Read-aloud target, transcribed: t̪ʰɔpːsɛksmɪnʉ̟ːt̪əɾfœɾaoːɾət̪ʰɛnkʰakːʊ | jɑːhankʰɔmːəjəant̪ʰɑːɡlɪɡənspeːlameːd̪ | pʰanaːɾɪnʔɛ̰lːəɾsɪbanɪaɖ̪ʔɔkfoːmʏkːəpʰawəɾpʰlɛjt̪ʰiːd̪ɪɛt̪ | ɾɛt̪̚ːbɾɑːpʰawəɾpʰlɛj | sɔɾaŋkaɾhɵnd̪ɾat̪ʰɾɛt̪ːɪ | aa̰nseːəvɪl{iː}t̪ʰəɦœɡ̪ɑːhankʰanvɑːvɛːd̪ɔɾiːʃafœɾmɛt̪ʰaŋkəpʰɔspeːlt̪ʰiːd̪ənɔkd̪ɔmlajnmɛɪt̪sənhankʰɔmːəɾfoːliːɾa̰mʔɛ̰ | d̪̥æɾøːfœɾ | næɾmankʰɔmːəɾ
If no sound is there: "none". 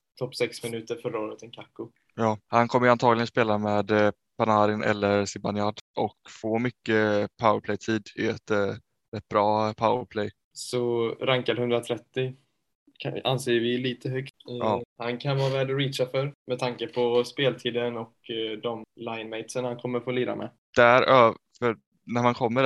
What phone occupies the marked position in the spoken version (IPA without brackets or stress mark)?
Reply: iː